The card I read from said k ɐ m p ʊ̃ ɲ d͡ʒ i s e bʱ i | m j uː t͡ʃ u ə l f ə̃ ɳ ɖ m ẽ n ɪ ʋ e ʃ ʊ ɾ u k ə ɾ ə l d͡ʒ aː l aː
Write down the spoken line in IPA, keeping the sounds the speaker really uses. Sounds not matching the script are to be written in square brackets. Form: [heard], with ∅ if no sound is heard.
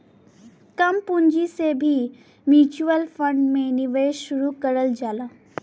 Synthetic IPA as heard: k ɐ m p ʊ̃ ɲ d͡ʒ i s e bʱ i | m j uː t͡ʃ u ə l f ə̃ ɳ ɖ m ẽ n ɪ ʋ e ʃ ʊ ɾ u k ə ɾ ə l d͡ʒ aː l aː